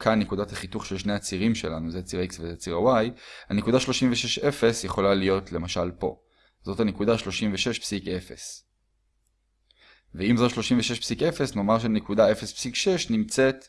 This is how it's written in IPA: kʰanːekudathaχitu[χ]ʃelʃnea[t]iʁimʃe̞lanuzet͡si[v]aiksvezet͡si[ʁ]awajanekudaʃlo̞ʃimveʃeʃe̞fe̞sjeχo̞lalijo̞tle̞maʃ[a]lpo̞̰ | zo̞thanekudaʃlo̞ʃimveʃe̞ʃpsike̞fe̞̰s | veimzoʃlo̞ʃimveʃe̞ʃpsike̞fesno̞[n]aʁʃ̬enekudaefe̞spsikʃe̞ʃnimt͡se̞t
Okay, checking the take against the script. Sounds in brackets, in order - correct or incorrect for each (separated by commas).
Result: correct, incorrect, incorrect, correct, correct, incorrect